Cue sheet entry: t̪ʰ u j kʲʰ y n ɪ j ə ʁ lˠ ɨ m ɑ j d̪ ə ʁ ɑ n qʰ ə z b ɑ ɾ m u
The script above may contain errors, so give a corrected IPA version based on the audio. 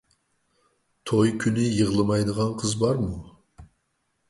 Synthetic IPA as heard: t̪ʰ o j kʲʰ y n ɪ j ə ʁ lˠ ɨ m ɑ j d̪ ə ʁ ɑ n qʰ ə z b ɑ ɾ m u